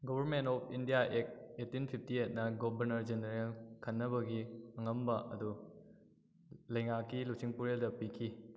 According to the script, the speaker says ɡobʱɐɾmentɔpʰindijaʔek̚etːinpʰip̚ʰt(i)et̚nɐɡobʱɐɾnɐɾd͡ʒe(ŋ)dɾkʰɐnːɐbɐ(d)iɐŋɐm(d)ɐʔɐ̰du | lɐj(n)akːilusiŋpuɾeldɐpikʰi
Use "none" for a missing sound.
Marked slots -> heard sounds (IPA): i, n, ɡ, b, ŋ

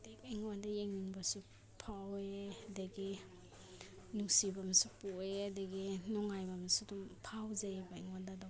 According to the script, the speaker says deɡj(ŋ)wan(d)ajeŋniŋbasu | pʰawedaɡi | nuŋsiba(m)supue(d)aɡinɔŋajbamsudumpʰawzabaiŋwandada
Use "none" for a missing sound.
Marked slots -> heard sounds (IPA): ŋ, d, m, d

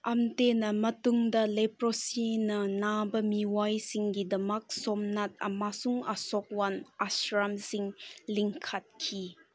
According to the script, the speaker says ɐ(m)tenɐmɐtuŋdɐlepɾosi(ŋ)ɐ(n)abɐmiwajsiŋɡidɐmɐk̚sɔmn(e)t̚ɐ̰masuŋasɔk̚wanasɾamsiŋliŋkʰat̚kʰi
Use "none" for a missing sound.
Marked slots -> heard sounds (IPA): m, n, n, a

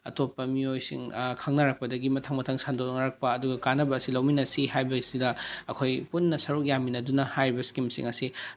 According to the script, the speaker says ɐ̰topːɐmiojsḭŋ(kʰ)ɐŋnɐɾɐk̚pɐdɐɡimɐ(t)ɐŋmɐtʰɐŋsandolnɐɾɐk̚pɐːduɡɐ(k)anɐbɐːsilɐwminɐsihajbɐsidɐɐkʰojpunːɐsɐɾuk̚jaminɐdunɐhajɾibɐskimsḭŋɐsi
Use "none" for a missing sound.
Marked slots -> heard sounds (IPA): kʰ, tʰ, k

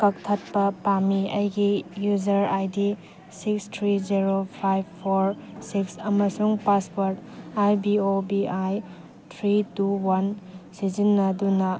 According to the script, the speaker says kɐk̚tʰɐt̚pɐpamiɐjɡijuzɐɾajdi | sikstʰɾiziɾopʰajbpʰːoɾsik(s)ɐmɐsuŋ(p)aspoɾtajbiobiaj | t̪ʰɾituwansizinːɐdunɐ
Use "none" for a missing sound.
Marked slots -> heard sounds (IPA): s, p

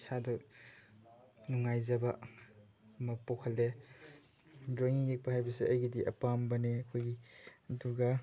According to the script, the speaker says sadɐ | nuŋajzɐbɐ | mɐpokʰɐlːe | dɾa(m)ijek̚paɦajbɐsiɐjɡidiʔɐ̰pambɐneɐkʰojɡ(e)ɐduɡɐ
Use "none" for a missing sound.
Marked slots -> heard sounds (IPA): ŋ, i

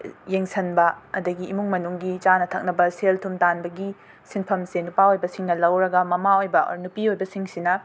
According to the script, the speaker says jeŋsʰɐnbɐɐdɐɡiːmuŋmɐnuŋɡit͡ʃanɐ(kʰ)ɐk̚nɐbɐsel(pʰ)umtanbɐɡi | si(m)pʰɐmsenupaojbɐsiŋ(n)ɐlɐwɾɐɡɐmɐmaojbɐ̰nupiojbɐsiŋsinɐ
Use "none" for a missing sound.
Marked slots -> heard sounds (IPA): tʰ, tʰ, n, n

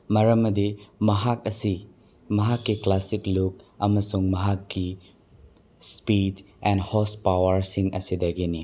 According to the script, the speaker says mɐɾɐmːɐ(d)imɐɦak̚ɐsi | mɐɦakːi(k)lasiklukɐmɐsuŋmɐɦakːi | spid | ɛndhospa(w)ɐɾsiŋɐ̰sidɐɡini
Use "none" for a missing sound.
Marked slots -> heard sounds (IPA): d, k, w

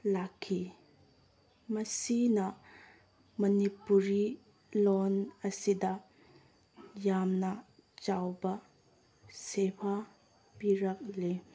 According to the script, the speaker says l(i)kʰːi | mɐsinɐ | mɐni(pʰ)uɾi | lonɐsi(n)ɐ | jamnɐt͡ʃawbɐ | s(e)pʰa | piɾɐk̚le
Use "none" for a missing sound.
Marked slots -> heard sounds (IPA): a, p, d, e

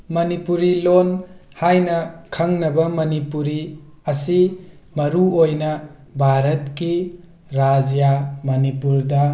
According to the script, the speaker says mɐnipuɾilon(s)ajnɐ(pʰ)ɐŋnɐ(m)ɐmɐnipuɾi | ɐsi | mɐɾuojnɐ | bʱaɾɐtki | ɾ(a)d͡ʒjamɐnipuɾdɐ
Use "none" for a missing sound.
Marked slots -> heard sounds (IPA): h, kʰ, b, a

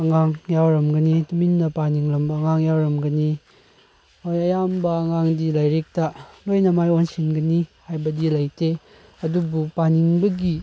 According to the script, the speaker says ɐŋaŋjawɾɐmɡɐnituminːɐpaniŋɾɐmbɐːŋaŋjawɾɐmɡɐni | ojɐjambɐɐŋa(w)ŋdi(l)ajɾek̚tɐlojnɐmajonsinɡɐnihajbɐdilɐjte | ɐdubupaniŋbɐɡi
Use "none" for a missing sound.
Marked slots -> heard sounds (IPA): none, l

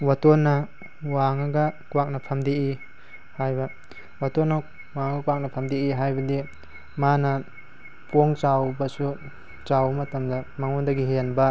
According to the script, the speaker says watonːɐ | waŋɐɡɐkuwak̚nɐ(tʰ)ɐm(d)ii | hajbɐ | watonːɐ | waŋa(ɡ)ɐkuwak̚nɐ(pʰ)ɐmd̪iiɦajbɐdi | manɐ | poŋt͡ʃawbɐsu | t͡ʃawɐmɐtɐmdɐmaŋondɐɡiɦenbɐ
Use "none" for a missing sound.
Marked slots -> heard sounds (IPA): pʰ, d, ɡ, pʰ

